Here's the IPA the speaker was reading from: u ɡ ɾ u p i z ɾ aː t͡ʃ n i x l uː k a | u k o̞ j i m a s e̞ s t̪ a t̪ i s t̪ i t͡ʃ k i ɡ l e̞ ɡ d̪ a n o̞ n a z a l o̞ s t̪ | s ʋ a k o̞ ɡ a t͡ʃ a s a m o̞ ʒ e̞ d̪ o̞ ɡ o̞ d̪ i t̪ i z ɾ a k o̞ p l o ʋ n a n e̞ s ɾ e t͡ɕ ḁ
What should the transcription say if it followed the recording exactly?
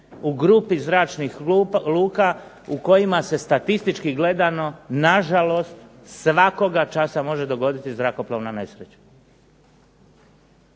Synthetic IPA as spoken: u ɡ ɾ u p i z ɾ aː t͡ʃ n i x l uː k a | u k o̞ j i m a s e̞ s t̪ a t̪ i s t̪ i t͡ʃ k i ɡ l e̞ d̪ a n o̞ n a ʒ a l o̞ s t̪ | s ʋ a k o̞ ɡ a t͡ʃ a s a m o̞ ʒ e̞ d̪ o̞ ɡ o̞ d̪ i t̪ i z ɾ a k o̞ p l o ʋ n a n e̞ s ɾ e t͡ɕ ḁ